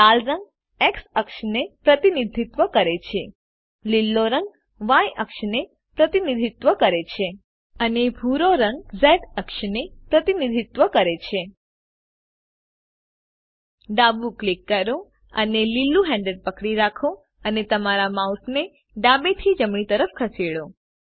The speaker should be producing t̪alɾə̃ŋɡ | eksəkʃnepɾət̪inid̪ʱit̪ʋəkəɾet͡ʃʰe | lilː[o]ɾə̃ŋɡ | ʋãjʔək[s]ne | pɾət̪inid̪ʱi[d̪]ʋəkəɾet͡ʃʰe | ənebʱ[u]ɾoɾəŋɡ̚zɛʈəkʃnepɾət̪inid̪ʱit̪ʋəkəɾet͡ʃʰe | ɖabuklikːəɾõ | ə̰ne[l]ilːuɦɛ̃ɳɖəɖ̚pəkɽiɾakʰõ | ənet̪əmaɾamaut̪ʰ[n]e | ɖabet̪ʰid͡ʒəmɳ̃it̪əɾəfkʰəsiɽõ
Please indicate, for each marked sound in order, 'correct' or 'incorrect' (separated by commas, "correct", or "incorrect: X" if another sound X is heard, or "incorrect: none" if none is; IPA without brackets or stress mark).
correct, incorrect: ʃ, incorrect: t̪, correct, correct, correct